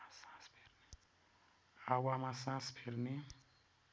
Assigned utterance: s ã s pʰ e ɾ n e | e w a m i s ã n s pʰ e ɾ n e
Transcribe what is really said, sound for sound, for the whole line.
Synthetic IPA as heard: s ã s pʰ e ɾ n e | a w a m a s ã s pʰ e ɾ n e

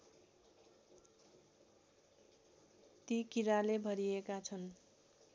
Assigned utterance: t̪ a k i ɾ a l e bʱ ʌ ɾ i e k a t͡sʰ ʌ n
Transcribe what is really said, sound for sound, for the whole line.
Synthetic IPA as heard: t̪ i k i ɾ a l e bʱ ʌ ɾ i e k a t͡sʰ ʌ n

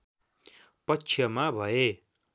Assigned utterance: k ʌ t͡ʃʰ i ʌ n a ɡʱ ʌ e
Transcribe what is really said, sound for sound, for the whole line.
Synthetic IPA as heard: p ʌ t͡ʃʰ j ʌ m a bʱ ʌ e

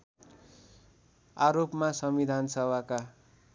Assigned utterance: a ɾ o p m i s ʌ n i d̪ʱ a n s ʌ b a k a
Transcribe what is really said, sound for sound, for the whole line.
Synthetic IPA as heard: a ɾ o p m a s ʌ m i d̪ʱ a n s ʌ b a k a

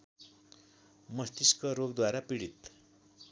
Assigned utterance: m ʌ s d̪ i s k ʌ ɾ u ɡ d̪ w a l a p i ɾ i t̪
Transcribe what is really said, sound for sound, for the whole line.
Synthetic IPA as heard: m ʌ s t̪ i s k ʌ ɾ o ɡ d̪ w a ɾ a p i ɽ i t̪

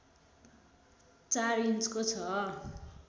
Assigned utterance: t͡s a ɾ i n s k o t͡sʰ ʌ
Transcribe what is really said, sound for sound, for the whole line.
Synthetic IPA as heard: t͡s a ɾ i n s k o t͡sʰ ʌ

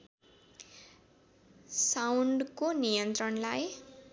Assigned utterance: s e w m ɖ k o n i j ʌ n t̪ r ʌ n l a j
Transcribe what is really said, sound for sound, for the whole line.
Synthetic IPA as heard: s a w ɳ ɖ k o n i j ʌ n t̪ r ʌ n l a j

